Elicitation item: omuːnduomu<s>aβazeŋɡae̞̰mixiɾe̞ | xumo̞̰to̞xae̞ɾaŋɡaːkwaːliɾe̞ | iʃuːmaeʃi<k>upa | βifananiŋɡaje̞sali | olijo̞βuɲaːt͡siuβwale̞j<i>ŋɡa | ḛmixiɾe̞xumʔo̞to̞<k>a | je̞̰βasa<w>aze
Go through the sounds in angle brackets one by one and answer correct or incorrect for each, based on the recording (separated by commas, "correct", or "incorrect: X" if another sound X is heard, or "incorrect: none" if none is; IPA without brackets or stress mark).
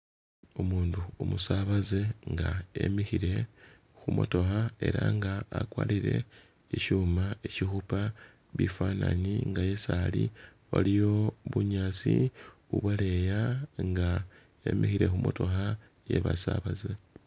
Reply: correct, incorrect: x, incorrect: a, incorrect: x, incorrect: β